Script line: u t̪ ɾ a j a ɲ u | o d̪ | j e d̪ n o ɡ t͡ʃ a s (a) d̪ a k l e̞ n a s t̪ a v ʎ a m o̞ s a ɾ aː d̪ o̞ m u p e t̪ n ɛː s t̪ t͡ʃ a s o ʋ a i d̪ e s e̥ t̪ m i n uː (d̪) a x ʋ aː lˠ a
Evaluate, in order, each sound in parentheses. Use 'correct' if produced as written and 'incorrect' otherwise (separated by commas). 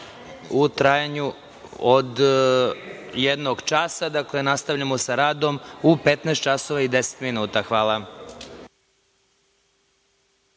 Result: correct, incorrect